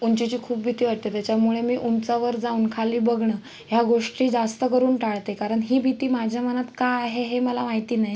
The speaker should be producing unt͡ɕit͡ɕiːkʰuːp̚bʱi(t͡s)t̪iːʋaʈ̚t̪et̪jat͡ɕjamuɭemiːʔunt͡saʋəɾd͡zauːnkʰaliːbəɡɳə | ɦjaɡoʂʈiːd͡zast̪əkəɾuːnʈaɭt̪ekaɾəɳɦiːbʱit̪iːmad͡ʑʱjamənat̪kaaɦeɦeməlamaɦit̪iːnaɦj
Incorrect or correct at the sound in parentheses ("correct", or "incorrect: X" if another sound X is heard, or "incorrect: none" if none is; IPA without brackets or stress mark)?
incorrect: none